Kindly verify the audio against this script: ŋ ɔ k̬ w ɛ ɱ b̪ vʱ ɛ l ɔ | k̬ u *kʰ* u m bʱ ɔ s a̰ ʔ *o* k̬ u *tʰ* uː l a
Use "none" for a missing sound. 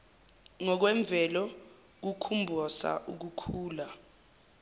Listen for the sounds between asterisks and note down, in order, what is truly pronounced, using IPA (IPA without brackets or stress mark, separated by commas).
kʰ, u, kʰ